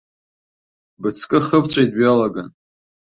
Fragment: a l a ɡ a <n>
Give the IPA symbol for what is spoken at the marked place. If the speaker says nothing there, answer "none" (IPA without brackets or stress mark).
n